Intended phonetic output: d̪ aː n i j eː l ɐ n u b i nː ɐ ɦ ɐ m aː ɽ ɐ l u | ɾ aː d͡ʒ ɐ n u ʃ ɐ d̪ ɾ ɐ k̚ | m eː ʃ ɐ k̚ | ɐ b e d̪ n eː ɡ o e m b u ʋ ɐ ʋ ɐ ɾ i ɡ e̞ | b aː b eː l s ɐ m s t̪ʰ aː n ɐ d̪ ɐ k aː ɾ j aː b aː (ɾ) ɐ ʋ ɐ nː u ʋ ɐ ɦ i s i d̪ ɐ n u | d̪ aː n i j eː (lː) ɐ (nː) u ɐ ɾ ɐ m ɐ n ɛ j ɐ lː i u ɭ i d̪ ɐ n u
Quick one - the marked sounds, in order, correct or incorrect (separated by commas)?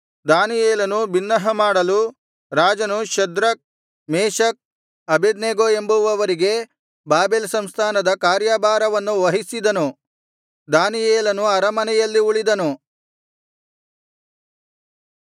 correct, incorrect, incorrect